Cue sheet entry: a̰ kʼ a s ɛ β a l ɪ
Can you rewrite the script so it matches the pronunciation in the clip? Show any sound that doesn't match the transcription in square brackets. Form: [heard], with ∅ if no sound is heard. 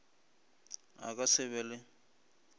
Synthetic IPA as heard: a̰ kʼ a s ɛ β [ɛ] l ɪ